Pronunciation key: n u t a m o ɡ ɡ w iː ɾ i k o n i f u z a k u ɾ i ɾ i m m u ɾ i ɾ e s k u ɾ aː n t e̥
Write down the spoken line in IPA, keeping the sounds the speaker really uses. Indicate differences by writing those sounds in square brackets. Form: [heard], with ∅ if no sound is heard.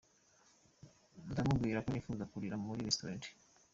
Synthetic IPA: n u t a m [u] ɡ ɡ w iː ɾ [a] k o n i f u z a k u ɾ i ɾ [a] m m u ɾ i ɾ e s [t] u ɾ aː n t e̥